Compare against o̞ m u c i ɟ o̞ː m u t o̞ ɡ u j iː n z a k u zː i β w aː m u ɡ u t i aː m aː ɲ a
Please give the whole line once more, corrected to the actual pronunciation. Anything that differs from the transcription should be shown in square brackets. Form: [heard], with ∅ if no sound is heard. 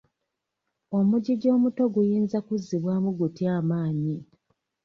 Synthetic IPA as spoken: o̞ m u [ɟ] i ɟ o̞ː m u t o̞ ɡ u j iː n z a k u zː i β w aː m u ɡ u t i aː m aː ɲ [i]